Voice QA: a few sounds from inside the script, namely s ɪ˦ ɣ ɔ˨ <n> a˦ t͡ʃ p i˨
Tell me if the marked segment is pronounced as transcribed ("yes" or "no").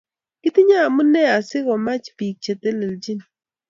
no